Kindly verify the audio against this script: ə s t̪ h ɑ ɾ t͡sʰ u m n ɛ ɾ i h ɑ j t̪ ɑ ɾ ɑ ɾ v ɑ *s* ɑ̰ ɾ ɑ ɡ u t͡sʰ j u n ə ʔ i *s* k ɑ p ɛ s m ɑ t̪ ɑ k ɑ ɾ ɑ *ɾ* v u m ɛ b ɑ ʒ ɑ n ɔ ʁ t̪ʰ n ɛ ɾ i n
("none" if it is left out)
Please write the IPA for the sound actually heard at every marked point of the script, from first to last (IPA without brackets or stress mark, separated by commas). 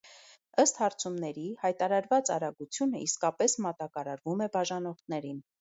t͡s, s, ɾ